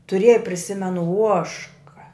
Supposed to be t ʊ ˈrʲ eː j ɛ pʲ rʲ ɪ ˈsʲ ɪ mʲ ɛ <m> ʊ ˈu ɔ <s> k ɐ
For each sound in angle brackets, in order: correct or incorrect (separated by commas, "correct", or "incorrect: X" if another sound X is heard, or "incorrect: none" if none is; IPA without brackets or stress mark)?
incorrect: n, incorrect: ʃ